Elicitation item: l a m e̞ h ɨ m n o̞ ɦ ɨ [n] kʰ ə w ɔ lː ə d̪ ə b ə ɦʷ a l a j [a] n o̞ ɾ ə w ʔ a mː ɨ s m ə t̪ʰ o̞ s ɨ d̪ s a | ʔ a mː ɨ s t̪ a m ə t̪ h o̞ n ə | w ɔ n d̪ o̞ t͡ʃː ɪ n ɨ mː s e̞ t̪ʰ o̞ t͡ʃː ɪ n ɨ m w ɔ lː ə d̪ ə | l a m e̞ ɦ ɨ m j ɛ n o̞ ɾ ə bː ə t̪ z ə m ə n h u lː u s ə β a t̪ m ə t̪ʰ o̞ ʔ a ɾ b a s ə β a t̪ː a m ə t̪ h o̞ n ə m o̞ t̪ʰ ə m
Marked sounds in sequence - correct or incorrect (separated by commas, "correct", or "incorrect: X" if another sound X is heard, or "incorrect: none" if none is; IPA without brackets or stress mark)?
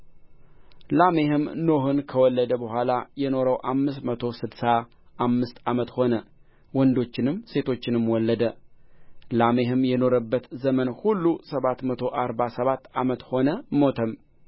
correct, incorrect: ɛ